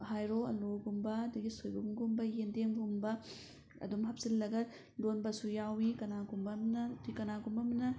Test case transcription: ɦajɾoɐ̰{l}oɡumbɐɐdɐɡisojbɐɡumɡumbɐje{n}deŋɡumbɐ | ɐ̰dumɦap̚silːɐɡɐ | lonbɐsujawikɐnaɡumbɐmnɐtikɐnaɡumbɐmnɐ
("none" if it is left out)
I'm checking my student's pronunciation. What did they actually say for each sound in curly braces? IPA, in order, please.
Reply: l, n

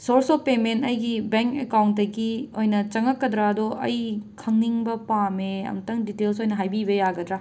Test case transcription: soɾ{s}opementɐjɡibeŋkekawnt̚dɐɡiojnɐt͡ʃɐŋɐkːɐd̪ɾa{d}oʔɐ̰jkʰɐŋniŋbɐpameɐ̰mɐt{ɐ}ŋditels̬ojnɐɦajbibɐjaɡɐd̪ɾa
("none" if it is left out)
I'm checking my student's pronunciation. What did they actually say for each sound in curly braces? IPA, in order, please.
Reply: s, d, ɐ

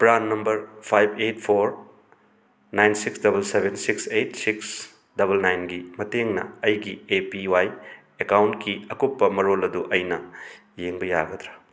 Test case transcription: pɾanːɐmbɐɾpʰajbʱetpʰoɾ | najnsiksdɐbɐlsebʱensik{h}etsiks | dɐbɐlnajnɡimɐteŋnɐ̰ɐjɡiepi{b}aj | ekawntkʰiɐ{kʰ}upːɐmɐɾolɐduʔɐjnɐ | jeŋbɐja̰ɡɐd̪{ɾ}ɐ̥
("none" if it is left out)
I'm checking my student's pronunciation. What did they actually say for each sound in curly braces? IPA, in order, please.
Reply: s, w, k, ɾ

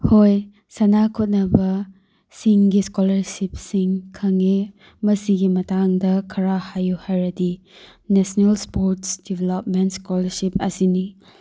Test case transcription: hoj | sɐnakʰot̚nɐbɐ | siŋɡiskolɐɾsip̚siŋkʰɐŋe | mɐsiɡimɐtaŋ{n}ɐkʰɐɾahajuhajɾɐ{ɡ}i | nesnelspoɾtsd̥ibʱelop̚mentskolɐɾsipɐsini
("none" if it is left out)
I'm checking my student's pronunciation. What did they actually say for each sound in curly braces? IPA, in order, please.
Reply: d, d

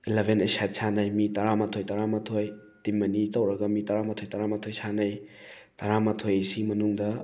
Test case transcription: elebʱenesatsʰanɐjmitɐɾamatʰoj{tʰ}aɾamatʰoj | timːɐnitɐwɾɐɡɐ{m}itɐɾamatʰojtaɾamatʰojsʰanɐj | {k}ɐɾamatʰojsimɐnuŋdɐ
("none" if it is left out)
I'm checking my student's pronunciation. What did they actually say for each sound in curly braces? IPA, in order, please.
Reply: t, m, t

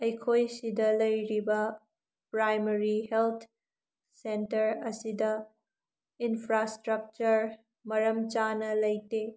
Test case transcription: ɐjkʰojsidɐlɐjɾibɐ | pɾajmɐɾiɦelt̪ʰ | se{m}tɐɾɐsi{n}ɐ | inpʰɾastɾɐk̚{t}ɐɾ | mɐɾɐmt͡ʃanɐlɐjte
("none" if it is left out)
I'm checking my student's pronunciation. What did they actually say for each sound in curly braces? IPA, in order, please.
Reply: n, d, t͡ʃ

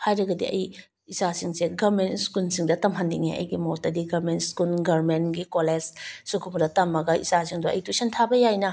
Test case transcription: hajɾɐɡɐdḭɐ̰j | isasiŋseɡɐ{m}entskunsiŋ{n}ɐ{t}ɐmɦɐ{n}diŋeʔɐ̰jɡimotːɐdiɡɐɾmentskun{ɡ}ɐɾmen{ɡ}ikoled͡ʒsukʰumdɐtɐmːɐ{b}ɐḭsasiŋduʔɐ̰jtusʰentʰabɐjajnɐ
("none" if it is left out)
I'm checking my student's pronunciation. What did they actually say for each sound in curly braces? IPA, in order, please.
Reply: m, d, t, n, ɡ, ɡ, ɡ

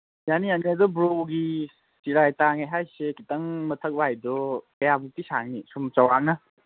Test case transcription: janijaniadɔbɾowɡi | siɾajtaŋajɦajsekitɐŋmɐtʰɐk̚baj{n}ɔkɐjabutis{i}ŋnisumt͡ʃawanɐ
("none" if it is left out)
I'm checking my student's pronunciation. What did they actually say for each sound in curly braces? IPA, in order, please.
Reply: d, a

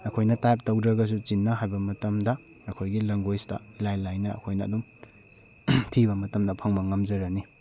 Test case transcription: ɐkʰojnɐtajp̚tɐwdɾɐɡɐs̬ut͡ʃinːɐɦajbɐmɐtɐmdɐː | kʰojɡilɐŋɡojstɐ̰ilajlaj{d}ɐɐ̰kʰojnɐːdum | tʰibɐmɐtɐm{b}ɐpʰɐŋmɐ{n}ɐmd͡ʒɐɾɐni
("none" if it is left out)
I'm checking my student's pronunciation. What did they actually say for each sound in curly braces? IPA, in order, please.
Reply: n, d, ŋ

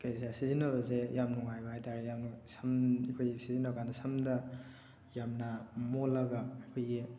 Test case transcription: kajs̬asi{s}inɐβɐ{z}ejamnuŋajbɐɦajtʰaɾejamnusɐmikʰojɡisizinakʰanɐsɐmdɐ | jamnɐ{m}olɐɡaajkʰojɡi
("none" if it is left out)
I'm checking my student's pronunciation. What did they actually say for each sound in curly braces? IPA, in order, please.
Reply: z, z, m

